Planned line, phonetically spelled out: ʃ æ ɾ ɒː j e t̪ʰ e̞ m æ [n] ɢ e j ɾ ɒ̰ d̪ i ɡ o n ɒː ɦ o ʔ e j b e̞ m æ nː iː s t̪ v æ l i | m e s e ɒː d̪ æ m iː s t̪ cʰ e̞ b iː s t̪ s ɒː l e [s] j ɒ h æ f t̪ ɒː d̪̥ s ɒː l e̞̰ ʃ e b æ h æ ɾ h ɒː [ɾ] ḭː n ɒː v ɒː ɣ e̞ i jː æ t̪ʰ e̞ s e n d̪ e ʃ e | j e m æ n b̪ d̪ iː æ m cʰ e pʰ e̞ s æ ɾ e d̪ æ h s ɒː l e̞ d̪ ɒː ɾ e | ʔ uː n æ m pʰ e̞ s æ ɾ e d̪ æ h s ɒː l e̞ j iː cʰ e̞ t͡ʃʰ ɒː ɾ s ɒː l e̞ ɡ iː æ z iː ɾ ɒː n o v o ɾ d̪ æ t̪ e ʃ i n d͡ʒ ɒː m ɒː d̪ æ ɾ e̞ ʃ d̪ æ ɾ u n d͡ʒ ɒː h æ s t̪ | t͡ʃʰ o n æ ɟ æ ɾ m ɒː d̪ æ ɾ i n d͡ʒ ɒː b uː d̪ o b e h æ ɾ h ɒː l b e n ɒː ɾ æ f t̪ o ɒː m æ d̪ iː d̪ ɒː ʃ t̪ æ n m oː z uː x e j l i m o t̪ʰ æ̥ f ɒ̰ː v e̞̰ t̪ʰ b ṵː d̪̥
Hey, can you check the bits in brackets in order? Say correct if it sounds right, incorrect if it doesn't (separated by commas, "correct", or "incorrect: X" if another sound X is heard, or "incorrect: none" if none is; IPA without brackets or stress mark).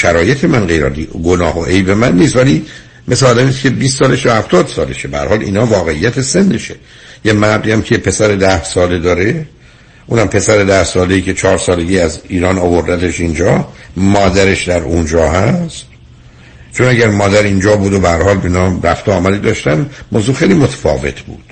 correct, incorrect: ʃ, incorrect: l